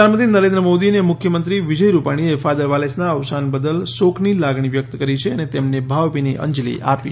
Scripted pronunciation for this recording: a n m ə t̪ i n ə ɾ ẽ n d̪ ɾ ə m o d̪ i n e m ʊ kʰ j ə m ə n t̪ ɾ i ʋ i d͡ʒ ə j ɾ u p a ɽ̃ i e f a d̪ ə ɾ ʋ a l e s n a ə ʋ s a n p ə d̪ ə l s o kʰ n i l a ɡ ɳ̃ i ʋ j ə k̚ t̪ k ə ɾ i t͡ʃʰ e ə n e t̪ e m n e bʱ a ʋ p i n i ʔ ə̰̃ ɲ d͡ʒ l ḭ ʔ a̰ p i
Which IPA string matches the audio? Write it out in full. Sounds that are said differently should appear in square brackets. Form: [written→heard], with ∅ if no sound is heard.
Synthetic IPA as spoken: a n m ə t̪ i n ə ɾ ẽ n d̪ ɾ ə m o d̪ i n e m ʊ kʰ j ə m ə n t̪ ɾ i ʋ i d͡ʒ ə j ɾ u p a ɽ̃ i e f a d̪ ə ɾ ʋ a l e s n a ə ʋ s a n [p→b] ə d̪ ə l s o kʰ n i l a ɡ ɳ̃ i ʋ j ə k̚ t̪ k ə ɾ i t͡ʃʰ e ə n e t̪ e m n e bʱ a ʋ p i n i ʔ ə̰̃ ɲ d͡ʒ l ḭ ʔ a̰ p i